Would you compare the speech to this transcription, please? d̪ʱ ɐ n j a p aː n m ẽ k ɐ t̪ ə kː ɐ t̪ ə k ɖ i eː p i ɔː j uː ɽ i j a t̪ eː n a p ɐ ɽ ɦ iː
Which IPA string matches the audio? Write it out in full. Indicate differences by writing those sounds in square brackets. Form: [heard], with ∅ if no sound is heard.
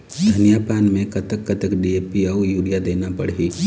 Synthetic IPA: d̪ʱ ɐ n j a p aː n m ẽ k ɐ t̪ ə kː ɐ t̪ ə k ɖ i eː p i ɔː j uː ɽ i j a [d̪] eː n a p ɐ ɽ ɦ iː

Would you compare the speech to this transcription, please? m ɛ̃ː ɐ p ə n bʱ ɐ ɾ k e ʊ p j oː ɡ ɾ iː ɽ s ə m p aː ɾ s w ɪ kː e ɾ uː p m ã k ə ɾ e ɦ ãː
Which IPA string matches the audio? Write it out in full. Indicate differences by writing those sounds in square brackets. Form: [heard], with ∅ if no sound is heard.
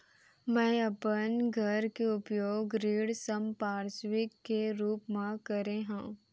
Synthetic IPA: m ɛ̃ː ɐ p ə n [ɡʱ] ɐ ɾ k e ʊ p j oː ɡ ɾ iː ɽ s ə m p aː ɾ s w ɪ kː e ɾ uː p m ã k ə ɾ e ɦ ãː

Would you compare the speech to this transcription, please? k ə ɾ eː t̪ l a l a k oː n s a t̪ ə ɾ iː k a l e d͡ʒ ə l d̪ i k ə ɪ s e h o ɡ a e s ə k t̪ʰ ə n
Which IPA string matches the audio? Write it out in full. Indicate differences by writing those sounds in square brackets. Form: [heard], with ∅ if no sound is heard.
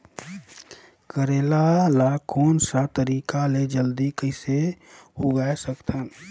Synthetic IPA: k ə ɾ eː [∅] l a l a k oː n s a t̪ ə ɾ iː k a l e d͡ʒ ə l d̪ i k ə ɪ s e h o ɡ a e s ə k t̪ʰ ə n

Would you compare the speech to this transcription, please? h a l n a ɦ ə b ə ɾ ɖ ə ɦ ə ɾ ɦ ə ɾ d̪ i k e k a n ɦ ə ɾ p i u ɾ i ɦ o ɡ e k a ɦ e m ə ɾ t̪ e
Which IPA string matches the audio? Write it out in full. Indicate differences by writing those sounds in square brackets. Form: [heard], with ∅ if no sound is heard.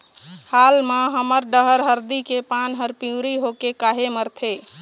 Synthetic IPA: h a l [m] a ɦ ə [m] ə ɾ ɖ ə ɦ ə ɾ ɦ ə ɾ d̪ i k e [p] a n ɦ ə ɾ p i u ɾ i ɦ o [k] e k a ɦ e m ə ɾ [t̪ʰ] e

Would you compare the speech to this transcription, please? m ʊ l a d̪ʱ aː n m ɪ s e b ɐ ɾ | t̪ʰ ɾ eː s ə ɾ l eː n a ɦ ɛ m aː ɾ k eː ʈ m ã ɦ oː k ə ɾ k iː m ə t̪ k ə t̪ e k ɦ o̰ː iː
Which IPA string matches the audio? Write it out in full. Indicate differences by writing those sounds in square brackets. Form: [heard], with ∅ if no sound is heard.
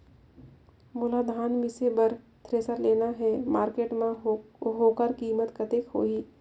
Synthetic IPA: m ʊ l a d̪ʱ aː n m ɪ s e b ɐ ɾ | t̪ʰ ɾ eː s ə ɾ l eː n a ɦ ɛ m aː ɾ k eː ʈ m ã ɦ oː k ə ɾ k iː m ə t̪ k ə t̪ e k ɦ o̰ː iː

